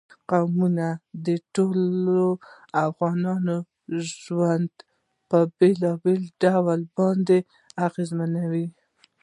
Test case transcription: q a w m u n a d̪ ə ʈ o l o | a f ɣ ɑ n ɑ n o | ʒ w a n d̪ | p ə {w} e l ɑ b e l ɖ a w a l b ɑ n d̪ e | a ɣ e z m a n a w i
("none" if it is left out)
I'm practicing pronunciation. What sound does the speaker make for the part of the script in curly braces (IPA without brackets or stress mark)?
b